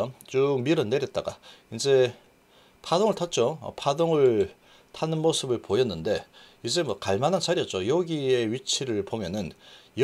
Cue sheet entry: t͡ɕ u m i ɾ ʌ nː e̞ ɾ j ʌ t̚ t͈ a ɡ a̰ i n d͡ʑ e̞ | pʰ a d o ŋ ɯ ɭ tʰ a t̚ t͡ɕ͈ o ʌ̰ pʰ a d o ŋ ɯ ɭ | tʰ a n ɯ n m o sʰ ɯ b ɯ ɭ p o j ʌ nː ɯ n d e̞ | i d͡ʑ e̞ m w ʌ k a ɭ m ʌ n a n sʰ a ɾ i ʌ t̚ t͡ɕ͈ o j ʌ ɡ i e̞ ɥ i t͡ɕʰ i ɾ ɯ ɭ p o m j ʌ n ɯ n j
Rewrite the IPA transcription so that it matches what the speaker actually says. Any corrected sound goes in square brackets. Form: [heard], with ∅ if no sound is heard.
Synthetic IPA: t͡ɕ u m i ɾ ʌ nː e̞ ɾ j ʌ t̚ t͈ a ɡ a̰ i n d͡ʑ e̞ | pʰ a d o ŋ ɯ ɭ tʰ a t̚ t͡ɕ͈ o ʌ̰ pʰ a d o ŋ ɯ ɭ | tʰ a n ɯ n m o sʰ ɯ b ɯ ɭ p o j ʌ nː ɯ n d e̞ | i d͡ʑ e̞ m w ʌ k a ɭ m [a] n a n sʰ a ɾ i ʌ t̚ t͡ɕ͈ o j ʌ ɡ i e̞ ɥ i t͡ɕʰ i ɾ ɯ ɭ p o m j ʌ n ɯ n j

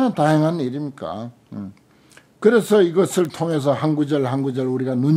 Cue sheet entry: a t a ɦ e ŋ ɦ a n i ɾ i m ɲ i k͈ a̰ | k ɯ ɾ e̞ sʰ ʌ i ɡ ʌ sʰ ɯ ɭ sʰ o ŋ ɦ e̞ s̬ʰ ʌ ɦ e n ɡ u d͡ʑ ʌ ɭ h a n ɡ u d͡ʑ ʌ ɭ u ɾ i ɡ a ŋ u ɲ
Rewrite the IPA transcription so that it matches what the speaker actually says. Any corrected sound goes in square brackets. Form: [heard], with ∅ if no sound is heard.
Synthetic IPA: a t a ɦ e ŋ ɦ a n i ɾ i m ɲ i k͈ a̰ | k ɯ ɾ e̞ sʰ ʌ i ɡ ʌ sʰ ɯ ɭ [tʰ] o ŋ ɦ e̞ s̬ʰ ʌ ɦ [a] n ɡ u d͡ʑ ʌ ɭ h a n ɡ u d͡ʑ ʌ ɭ u ɾ i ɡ a [n] u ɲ

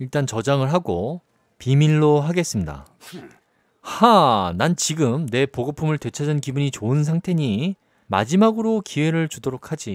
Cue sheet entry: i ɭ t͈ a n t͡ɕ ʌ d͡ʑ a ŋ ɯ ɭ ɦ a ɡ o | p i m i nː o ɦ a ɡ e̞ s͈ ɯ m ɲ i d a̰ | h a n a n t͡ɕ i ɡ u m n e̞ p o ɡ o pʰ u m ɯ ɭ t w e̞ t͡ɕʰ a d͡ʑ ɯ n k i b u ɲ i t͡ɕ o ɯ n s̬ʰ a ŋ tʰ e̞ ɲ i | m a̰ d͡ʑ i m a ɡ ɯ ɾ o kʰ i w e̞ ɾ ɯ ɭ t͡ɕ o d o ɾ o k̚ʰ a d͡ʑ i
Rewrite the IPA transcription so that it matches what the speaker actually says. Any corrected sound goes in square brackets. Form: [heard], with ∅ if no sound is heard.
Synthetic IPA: i ɭ t͈ a n t͡ɕ ʌ d͡ʑ a ŋ ɯ ɭ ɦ a ɡ o | p i m i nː o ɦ a ɡ e̞ s͈ ɯ m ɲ i d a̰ | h a n a n t͡ɕ i ɡ [ɯ] m n e̞ p o ɡ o pʰ u m ɯ ɭ t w e̞ t͡ɕʰ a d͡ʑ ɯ n k i b u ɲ i t͡ɕ o ɯ n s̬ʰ a ŋ tʰ e̞ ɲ i | m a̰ d͡ʑ i m a ɡ ɯ ɾ o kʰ i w e̞ ɾ ɯ ɭ t͡ɕ [u] d o ɾ o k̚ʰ a d͡ʑ i

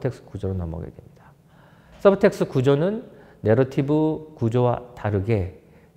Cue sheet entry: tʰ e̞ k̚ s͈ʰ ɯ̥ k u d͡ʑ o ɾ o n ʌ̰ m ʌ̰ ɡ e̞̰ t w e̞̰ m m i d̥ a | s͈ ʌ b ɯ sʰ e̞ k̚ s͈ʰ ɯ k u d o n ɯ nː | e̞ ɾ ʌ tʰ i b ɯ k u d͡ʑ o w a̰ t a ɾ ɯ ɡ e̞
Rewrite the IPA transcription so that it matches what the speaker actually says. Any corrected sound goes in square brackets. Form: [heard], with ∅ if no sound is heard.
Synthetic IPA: tʰ e̞ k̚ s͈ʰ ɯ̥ k u d͡ʑ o ɾ o n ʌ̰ m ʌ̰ ɡ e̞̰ [d] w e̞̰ m [ɲ] i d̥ a | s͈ ʌ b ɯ [tʰ] e̞ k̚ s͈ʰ ɯ k u [d͡ʑ] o n ɯ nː | e̞ ɾ ʌ tʰ i b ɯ k u d͡ʑ o w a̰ t a ɾ ɯ ɡ e̞

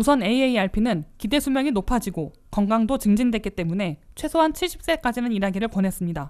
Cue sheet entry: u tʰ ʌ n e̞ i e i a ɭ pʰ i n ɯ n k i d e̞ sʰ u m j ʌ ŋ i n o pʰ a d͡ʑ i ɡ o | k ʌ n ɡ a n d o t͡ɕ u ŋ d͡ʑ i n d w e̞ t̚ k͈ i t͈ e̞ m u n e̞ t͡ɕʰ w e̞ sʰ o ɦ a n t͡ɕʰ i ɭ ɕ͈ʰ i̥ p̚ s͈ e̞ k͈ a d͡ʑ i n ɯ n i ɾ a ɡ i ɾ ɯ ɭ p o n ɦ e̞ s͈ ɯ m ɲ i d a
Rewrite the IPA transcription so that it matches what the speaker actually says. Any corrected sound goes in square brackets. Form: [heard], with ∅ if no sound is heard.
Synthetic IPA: u [sʰ] ʌ n e̞ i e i a ɭ pʰ i n ɯ n k i d e̞ sʰ u m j ʌ ŋ i n o pʰ a d͡ʑ i ɡ o | k ʌ [ŋ] ɡ a [ŋ] d o t͡ɕ [ɯ] ŋ d͡ʑ i n d w e̞ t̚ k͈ i t͈ e̞ m u n e̞ t͡ɕʰ w e̞ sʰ o ɦ a n t͡ɕʰ i ɭ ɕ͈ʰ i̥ p̚ s͈ e̞ k͈ a d͡ʑ i n ɯ n i ɾ a ɡ i ɾ ɯ ɭ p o n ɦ e̞ s͈ ɯ m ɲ i d a

